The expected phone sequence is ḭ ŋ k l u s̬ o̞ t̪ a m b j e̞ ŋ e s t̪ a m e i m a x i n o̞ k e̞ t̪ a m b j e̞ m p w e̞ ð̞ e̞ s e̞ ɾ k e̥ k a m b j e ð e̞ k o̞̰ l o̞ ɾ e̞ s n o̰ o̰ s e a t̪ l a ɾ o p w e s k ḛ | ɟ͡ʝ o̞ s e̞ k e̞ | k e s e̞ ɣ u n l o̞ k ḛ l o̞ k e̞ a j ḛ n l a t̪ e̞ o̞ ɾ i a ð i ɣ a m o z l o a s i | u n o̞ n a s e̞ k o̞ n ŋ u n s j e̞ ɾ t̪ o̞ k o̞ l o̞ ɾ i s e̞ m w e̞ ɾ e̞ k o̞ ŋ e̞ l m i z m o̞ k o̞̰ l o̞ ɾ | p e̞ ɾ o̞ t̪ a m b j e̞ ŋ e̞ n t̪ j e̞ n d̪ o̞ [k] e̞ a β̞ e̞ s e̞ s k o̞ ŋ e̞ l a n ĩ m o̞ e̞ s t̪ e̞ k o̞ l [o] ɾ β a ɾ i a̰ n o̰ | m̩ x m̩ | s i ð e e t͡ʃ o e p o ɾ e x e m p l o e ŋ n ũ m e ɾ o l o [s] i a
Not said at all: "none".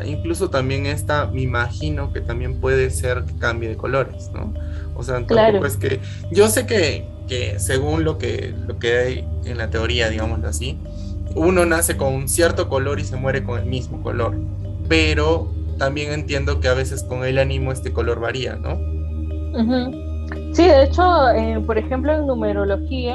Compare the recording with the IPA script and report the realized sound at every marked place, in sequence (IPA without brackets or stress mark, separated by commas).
k, o, x